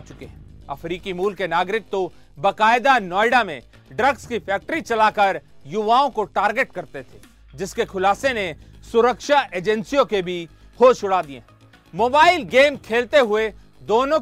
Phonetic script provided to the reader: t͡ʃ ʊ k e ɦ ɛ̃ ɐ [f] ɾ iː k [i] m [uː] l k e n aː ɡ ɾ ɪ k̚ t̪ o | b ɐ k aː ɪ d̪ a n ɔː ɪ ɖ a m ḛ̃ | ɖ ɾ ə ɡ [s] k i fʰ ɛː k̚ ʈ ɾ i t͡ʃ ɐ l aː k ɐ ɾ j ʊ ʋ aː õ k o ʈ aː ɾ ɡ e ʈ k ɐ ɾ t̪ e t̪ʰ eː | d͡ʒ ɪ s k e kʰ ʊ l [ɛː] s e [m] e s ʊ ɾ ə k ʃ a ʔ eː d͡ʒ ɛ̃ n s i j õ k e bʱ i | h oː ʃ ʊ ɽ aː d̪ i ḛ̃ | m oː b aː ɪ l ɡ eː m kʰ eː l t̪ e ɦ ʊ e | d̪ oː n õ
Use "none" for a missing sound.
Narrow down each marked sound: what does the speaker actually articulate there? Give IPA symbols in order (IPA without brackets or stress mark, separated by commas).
f, i, uː, s, aː, n